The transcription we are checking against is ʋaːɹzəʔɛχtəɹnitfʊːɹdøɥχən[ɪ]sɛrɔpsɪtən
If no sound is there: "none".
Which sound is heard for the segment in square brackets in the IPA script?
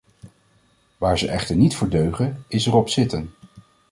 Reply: ɪ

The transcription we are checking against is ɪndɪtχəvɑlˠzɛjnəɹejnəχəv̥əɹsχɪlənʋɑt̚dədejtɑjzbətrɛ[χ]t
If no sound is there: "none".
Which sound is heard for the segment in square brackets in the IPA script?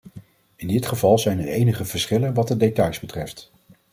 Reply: f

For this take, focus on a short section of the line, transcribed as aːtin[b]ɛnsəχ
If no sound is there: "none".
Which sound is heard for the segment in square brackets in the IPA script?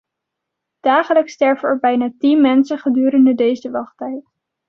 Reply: m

